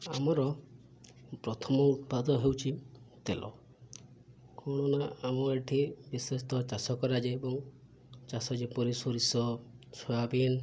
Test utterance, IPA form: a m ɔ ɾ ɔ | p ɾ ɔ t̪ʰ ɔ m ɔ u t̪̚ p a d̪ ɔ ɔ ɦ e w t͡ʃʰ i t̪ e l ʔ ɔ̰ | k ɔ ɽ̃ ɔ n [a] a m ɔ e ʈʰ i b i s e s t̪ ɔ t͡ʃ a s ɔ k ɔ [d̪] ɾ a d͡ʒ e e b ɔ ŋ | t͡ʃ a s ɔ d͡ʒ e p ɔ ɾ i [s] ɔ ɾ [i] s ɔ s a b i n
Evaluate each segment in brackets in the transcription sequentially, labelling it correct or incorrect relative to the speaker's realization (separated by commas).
correct, incorrect, correct, correct